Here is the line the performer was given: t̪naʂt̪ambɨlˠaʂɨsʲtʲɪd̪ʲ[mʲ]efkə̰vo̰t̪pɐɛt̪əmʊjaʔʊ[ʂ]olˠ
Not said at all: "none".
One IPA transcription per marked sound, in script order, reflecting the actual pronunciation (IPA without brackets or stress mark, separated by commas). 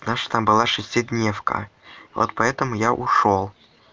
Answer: nʲ, ʂ